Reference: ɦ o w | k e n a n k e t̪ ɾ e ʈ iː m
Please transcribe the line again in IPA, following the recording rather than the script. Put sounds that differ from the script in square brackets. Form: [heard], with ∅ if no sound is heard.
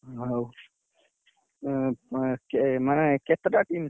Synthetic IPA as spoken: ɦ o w | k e [m] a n k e t̪ ɾ [a] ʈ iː m